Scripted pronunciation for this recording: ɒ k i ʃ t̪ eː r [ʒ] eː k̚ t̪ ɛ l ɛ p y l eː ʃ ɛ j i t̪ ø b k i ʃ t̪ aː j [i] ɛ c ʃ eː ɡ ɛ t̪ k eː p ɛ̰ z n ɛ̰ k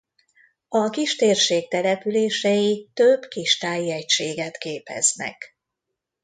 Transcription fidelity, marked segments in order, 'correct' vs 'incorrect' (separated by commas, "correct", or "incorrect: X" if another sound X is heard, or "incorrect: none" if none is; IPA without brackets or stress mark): incorrect: ʃ, correct